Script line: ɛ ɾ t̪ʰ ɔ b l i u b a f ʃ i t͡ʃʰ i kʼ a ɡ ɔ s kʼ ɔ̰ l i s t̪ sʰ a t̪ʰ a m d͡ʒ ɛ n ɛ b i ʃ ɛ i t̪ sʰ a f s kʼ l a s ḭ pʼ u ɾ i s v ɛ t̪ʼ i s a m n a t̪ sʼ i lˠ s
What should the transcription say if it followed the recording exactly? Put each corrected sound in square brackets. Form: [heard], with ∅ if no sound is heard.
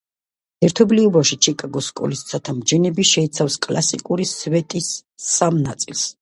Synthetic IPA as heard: ɛ ɾ t̪ʰ ɔ b l i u b a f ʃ i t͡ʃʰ i kʼ a ɡ ɔ s kʼ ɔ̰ l i s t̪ sʰ a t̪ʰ a m d͡ʒ ɛ n ɛ b i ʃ ɛ i t̪ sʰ a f s kʼ l a s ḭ [kʼ] u ɾ i s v ɛ t̪ʼ i s a m n a t̪ sʼ i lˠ s